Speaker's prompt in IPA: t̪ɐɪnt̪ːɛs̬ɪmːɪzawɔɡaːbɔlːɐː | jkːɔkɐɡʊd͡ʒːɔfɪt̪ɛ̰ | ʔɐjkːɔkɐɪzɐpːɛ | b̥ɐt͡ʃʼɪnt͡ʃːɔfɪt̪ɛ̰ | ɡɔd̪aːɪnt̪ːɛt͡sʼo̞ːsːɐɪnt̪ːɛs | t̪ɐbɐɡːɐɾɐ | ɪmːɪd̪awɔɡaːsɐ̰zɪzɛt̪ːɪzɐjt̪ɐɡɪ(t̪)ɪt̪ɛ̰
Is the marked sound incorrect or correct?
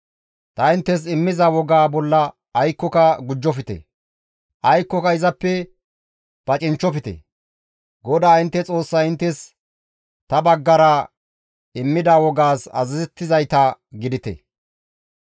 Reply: incorrect